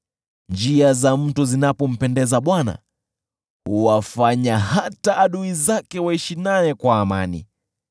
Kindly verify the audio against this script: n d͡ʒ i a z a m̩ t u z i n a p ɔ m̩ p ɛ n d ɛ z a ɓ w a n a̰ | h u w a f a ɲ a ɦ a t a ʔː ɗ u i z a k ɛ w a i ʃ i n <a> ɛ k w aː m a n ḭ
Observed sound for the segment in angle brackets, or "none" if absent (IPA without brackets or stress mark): a